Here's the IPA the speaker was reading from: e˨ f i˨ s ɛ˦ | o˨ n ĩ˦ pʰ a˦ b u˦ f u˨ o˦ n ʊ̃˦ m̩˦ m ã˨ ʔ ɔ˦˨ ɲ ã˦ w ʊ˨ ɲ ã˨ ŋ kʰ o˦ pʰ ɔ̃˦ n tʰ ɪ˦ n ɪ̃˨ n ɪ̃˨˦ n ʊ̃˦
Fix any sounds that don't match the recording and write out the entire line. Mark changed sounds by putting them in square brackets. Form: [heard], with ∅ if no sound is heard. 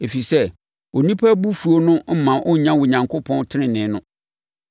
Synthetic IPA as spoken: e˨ f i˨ s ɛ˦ | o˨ n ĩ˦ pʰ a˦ b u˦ f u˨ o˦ n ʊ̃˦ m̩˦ m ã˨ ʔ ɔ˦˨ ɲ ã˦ w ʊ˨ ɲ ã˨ ŋ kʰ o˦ pʰ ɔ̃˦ n tʰ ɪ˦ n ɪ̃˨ n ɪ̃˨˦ n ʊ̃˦